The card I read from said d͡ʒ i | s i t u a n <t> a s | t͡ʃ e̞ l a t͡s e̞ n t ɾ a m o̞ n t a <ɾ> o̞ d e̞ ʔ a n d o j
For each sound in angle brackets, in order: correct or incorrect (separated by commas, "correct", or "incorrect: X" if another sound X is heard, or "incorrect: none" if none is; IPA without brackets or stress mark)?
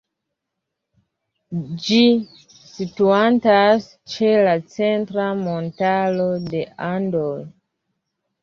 correct, incorrect: l